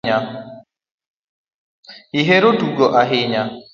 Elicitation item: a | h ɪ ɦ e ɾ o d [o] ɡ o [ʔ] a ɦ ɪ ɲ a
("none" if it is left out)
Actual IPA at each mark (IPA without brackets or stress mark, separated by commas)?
u, ʔ